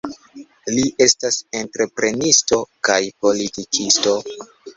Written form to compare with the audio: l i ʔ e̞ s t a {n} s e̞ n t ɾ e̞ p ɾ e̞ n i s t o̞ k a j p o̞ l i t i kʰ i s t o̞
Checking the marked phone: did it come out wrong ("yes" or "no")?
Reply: yes